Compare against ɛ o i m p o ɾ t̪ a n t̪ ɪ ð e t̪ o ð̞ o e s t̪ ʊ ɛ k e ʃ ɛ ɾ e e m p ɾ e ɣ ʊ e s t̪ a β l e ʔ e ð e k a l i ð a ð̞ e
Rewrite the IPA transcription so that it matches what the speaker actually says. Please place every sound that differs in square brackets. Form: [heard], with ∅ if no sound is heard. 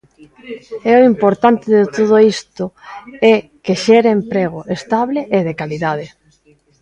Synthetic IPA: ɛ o i m p o ɾ t̪ a n t̪ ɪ ð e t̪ o ð̞ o [i] s t̪ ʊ ɛ k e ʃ ɛ ɾ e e m p ɾ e ɣ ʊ e s t̪ a β l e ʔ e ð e k a l i ð a ð̞ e